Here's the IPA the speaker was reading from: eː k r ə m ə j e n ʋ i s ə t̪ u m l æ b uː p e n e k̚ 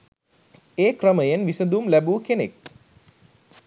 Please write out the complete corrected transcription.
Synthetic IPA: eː k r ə m ə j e n ʋ i s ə d̪ u m l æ b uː k e n e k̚